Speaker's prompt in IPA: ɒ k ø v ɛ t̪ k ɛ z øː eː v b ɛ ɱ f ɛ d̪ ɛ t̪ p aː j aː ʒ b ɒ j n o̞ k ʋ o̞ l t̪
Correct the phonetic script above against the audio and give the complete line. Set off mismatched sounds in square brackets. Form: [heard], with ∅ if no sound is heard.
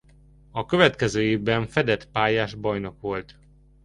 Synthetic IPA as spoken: ɒ k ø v ɛ t̪ k ɛ z øː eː v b ɛ ɱ f ɛ d̪ ɛ t̪ p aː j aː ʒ b ɒ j n o̞ k ʋ o̞ l t̪